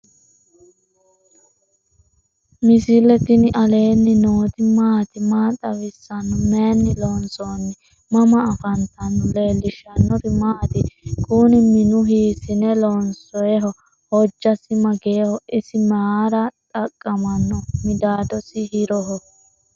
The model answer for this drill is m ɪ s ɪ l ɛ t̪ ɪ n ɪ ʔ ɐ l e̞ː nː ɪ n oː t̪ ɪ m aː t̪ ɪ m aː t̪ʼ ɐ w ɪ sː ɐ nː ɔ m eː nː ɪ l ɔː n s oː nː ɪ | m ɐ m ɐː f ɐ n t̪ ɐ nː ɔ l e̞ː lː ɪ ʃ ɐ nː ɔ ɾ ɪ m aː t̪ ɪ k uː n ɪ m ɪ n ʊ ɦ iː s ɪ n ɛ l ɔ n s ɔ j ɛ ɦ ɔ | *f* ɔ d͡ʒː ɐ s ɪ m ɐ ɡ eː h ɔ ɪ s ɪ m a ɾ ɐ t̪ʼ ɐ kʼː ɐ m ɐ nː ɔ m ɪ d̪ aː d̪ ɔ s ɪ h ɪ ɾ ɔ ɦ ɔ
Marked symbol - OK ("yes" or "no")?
no